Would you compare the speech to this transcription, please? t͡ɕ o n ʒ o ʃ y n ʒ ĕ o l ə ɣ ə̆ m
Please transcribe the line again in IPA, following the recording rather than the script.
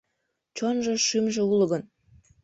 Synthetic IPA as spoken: t͡ɕ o n ʒ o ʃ y m ʒ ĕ u l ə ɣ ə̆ n

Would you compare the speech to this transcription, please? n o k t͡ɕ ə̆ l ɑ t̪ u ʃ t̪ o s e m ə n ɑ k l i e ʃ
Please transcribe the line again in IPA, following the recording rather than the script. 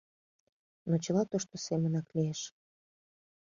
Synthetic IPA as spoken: n o t͡ɕ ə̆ l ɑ t̪ o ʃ t̪ o s e m ə n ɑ k l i e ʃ

